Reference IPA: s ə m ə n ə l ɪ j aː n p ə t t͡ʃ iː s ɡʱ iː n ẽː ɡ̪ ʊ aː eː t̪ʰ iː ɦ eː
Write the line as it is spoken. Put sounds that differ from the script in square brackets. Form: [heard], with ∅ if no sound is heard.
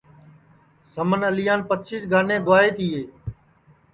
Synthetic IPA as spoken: s ə m ə n ə l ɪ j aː n p ə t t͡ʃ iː s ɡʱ [aː] n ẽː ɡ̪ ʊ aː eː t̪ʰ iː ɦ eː